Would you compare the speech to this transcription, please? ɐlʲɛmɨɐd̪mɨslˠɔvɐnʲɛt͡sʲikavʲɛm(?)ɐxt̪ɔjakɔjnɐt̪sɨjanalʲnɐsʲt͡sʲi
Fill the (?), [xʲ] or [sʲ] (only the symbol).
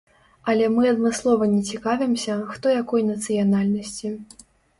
sʲ